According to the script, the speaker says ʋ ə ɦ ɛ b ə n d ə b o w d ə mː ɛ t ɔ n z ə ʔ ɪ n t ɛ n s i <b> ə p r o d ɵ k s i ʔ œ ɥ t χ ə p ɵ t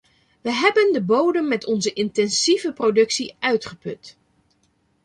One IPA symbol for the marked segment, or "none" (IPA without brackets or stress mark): v